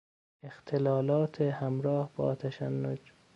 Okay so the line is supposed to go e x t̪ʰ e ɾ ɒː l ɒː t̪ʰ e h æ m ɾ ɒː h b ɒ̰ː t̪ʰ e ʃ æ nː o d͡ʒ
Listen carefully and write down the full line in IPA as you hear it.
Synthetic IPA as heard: e x t̪ʰ e l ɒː l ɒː t̪ʰ e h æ m ɾ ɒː h b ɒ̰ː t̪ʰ æ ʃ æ nː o d͡ʒ